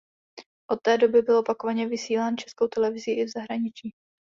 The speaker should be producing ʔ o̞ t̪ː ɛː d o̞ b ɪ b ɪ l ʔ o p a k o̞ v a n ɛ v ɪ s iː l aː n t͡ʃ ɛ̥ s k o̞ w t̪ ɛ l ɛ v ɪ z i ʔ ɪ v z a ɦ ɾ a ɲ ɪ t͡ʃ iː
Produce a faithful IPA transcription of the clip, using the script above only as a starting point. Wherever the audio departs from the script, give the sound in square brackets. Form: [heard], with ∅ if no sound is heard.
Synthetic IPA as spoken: ʔ o̞ t̪ː ɛː d o̞ b ɪ b ɪ l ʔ o p a k o̞ v a [ɲ] ɛ v ɪ s iː l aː n t͡ʃ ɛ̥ s k o̞ w t̪ ɛ l ɛ v ɪ z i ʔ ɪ v z a ɦ ɾ a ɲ ɪ t͡ʃ iː